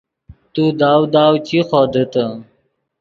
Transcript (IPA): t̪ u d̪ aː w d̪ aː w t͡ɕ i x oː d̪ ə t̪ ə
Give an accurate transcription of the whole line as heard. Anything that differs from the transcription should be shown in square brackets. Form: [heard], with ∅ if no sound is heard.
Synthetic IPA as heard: t̪ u d̪ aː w d̪ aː w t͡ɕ i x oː d̪ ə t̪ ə